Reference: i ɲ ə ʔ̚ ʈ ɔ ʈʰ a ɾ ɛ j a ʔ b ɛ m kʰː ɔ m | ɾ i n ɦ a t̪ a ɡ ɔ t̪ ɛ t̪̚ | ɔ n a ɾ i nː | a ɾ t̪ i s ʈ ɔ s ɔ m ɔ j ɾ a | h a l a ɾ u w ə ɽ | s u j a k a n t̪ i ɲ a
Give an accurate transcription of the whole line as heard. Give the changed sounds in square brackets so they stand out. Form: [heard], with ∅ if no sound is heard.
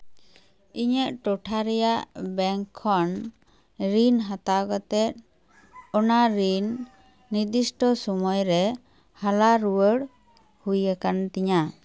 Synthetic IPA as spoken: i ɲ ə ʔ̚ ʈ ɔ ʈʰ a ɾ ɛ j a ʔ b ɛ [ŋ] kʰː ɔ [n] | ɾ i n ɦ a t̪ a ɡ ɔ t̪ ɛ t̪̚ | ɔ n a ɾ i nː | [i] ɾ [d̪] i s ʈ ɔ s ɔ m ɔ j ɾ [ɛ] | h a l a ɾ u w ə ɽ | [h] u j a k a n t̪ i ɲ a